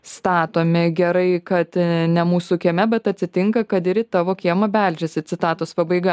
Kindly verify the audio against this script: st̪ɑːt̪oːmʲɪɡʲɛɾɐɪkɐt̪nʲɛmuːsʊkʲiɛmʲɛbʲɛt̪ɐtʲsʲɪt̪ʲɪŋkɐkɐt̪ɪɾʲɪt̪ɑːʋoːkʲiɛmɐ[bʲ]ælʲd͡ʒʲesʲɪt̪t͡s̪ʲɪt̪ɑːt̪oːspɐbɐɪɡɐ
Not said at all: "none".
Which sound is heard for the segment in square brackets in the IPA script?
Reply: bʲ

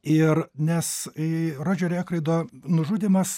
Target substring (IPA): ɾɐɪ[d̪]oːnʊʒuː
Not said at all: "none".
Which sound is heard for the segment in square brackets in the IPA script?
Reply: d̪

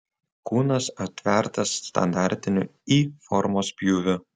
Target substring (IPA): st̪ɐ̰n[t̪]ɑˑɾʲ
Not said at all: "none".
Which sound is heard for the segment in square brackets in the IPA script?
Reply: d̪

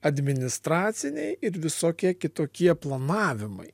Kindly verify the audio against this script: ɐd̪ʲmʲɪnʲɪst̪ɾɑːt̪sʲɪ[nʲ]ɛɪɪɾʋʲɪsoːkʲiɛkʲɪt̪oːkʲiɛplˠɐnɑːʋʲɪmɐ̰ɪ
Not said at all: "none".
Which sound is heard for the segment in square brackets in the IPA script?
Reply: nʲ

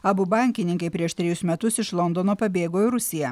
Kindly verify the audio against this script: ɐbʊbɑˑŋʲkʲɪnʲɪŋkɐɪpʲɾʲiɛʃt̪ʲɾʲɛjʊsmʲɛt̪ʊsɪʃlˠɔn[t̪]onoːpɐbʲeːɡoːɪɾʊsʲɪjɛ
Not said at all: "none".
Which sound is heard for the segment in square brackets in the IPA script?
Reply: d̪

